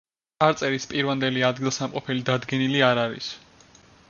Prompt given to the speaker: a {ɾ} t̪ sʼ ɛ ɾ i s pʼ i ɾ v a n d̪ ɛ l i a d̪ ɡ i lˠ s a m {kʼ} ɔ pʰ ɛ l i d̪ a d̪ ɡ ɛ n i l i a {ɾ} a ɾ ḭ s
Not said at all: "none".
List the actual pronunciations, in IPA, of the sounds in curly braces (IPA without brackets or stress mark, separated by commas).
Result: ɾ, qʼ, ɾ